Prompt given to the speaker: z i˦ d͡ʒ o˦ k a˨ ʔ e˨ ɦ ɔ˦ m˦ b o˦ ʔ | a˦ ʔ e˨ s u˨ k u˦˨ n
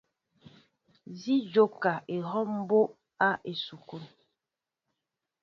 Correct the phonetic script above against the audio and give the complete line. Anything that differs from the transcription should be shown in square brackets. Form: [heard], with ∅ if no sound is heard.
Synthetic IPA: z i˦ d͡ʒ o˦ k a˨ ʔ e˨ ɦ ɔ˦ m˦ b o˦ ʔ | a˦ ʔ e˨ s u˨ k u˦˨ n